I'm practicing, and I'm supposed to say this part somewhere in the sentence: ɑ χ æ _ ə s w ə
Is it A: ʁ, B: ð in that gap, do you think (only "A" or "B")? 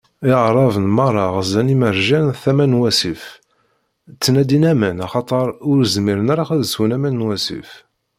B